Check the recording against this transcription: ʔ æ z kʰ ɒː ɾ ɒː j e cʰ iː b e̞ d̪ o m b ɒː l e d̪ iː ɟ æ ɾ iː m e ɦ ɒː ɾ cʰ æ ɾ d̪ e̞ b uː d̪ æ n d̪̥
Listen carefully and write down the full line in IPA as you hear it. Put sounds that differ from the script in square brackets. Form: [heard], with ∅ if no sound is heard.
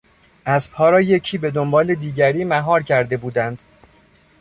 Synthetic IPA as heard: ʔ æ z [pʰ] ɒː ɾ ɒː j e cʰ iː b e̞ d̪ o m b ɒː l e d̪ iː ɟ æ ɾ iː m [æ] ɦ ɒː ɾ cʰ æ ɾ d̪ e̞ b uː d̪ æ n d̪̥